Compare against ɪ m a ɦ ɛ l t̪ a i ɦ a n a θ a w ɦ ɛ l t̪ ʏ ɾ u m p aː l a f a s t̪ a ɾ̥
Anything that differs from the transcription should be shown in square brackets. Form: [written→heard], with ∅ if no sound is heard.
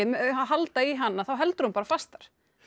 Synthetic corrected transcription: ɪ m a ɦ [ɛ→a] l t̪ a i ɦ a [n→nː] a θ a w ɦ ɛ l t̪ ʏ ɾ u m p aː [l→ɾ] a f a s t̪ a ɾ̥